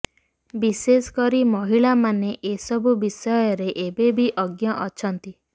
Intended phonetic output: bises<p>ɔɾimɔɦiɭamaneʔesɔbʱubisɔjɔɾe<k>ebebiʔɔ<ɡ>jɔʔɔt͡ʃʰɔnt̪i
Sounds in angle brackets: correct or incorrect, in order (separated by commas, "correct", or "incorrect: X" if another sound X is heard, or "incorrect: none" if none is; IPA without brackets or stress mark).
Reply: incorrect: k, incorrect: ʔ, correct